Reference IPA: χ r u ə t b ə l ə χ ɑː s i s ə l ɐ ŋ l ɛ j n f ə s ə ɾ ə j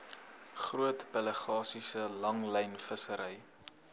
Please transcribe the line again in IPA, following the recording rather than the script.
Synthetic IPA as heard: χ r u ə t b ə l ə χ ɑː s i s ə l ɐ ŋ l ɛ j n f ə s ə ɾ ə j